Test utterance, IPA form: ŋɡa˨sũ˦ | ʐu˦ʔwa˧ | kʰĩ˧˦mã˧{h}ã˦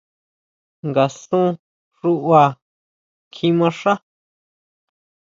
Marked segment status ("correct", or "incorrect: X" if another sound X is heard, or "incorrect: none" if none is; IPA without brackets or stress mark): incorrect: ʂ